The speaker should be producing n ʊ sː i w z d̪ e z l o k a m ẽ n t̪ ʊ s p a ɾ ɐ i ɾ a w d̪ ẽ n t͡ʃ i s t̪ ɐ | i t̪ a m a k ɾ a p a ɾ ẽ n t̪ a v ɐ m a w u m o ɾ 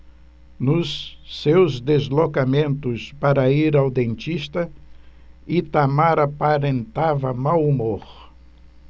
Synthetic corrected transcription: n ʊ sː e w z d̪ e z l o k a m ẽ n t̪ ʊ s p a ɾ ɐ i ɾ a w d̪ ẽ n t͡ʃ i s t̪ ɐ | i t̪ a m a ɾ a p a ɾ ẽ n t̪ a v ɐ m a w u m o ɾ

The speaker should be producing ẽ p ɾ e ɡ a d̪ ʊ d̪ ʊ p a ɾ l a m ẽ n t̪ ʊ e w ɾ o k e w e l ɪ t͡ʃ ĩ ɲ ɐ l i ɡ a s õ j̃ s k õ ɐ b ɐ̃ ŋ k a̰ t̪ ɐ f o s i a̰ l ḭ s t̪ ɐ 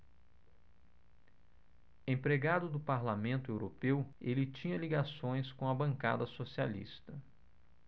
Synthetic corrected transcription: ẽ p ɾ e ɡ a d̪ ʊ d̪ ʊ p a ɾ l a m ẽ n t̪ ʊ e w ɾ o p e w e l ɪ t͡ʃ ĩ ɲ ɐ l i ɡ a s õ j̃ s k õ ɐ b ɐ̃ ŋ k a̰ d̪ ɐ s o s i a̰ l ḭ s t̪ ɐ

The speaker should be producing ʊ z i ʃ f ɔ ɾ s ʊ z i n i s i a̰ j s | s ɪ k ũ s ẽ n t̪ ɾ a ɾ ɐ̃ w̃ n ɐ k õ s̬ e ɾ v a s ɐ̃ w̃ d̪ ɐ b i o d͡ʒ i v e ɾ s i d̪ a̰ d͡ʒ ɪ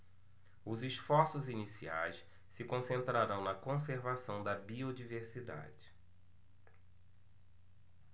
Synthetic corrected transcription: ʊ z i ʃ f ɔ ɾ s ʊ z i n i s i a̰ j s | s ɪ k õ s ẽ n t̪ ɾ a ɾ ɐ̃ w̃ n ɐ k õ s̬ e ɾ v a s ɐ̃ w̃ d̪ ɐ b i o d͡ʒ i v e ɾ s i d̪ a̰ d͡ʒ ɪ

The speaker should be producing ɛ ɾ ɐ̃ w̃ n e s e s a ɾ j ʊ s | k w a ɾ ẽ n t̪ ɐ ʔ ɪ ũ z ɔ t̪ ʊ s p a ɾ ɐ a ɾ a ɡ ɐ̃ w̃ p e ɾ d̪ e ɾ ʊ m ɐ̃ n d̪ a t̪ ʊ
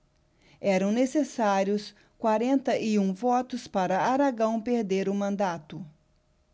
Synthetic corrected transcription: ɛ ɾ ɐ̃ w̃ n e s e s a ɾ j ʊ s | k w a ɾ ẽ n t̪ ɐ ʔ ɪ ũ v ɔ t̪ ʊ s p a ɾ ɐ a ɾ a ɡ ɐ̃ w̃ p e ɾ d̪ e ɾ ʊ m ɐ̃ n d̪ a t̪ ʊ

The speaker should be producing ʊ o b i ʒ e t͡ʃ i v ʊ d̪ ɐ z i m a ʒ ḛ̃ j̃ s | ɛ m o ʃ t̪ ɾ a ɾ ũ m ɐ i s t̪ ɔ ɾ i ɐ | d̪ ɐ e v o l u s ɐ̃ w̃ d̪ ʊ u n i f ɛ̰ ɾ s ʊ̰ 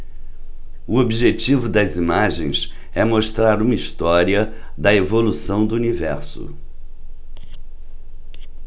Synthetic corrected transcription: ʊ o b i ʒ e t͡ʃ i v ʊ d̪ ɐ z i m a ʒ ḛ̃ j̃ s | ɛ m o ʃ t̪ ɾ a ɾ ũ m ɐ i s t̪ ɔ ɾ i ɐ | d̪ ɐ e v o l u s ɐ̃ w̃ d̪ ʊ u n i v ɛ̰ ɾ s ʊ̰

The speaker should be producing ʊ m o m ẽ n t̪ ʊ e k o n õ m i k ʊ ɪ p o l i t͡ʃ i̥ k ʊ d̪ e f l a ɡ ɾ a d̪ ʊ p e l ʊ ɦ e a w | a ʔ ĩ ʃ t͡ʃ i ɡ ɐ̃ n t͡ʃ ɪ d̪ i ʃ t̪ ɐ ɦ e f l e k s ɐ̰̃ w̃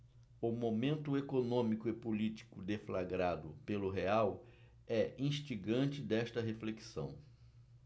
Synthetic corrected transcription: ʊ m o m ẽ n t̪ ʊ e k o n õ m i k ʊ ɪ p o l i t͡ʃ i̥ k ʊ d̪ e f l a ɡ ɾ a d̪ ʊ p e l ʊ ɦ e a w | ɛ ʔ ĩ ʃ t͡ʃ i ɡ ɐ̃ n t͡ʃ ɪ d̪ ɛ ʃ t̪ ɐ ɦ e f l e k s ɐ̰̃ w̃

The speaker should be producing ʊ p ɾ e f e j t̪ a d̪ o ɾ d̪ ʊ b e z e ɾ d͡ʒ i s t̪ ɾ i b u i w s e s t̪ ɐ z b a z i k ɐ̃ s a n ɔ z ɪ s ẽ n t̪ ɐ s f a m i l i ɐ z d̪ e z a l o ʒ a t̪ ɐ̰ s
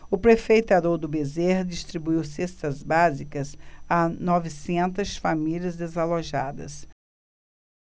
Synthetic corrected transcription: ʊ p ɾ e f e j t̪ a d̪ o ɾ d̪ ʊ b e z e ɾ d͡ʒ i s t̪ ɾ i b u i w s e s t̪ ɐ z b a z i k ɐ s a n ɔ v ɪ s ẽ n t̪ ɐ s f a m i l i ɐ z d̪ e z a l o ʒ a d̪ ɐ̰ s

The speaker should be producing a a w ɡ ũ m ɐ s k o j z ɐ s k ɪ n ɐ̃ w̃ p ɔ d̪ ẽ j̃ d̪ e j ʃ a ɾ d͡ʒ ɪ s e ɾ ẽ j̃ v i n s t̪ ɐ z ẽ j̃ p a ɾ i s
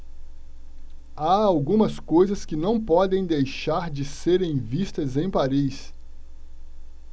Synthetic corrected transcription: a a w ɡ ũ m ɐ s k o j z ɐ s k ɪ n ɐ̃ w̃ p ɔ d̪ ẽ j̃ d̪ e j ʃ a ɾ d͡ʒ ɪ s e ɾ ẽ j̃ v i s t̪ ɐ z ẽ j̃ p a ɾ i s

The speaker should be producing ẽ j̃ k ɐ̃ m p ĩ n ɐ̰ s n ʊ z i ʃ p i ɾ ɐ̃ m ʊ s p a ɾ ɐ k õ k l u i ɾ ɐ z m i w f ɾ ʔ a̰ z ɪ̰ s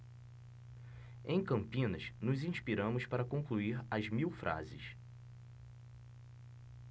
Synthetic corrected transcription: ẽ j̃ k ɐ̃ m p ĩ n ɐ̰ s n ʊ z ĩ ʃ p i ɾ ɐ̃ m ʊ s p a ɾ ɐ k õ k l u i ɾ ɐ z m i w f ɾ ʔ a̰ z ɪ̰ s

